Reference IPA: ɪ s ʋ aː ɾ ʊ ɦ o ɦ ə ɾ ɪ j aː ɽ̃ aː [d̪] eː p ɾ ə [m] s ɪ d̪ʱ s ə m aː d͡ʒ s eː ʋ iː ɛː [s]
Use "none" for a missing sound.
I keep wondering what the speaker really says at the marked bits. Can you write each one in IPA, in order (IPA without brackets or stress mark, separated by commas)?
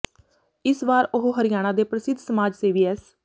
d̪, none, s